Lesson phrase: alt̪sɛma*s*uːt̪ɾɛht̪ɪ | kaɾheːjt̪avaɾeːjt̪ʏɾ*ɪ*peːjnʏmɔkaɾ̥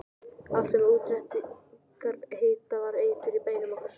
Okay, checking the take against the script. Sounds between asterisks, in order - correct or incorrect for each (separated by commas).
incorrect, incorrect